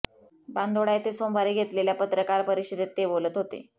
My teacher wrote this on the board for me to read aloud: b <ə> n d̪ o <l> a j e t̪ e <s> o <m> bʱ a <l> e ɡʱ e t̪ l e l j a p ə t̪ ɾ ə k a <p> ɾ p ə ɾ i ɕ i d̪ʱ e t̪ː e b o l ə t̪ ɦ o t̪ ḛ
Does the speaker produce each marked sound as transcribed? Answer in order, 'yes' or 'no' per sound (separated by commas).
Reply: no, no, yes, yes, no, no